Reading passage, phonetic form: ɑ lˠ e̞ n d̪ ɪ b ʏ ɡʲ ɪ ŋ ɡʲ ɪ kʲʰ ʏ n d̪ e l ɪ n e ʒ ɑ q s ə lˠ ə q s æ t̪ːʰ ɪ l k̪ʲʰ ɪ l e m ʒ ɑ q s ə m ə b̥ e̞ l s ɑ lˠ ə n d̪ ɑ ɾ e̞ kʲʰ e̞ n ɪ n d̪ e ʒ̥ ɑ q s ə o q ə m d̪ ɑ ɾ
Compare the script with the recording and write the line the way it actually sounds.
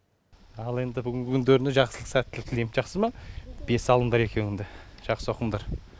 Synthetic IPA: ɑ lˠ e̞ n d̪ ɪ b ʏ ɡʲ ɪ ŋ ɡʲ ɪ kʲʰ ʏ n d̪ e ɾ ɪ n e ʒ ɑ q s ə lˠ ə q s æ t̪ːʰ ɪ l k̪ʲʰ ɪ l e m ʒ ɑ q s ə m ɑ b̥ e̞ s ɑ lˠ ə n d̪ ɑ ɾ e̞ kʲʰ e̞ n ɪ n d̪ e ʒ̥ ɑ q s ə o q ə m d̪ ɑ ɾ